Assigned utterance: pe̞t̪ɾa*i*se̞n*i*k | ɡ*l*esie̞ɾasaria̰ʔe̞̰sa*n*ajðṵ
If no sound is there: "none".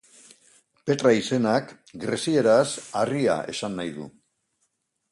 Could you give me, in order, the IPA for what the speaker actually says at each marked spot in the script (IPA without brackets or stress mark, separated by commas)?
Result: i, a, ɾ, nː